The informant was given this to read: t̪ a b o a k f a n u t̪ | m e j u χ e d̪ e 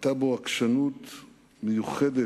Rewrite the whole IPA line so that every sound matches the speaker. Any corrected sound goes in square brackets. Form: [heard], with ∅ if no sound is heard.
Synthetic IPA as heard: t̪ a b o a k [ʃ] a n u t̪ | m e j u χ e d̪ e